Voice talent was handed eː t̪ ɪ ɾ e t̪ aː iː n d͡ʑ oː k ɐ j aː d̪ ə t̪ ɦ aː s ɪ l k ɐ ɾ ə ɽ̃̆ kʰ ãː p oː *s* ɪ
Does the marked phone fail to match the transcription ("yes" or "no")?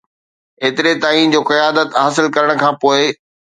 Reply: yes